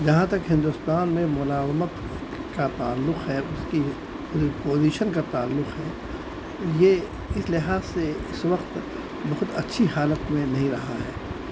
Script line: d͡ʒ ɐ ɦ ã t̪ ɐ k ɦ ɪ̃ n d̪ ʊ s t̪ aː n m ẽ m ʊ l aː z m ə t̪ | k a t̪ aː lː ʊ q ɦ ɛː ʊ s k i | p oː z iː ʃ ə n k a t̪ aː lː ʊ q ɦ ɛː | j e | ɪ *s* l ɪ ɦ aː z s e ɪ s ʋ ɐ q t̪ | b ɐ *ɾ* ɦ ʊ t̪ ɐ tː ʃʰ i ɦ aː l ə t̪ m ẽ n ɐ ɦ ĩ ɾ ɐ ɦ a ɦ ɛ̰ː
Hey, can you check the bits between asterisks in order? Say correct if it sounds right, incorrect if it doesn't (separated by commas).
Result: correct, incorrect